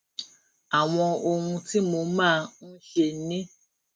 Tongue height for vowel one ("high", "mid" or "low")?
low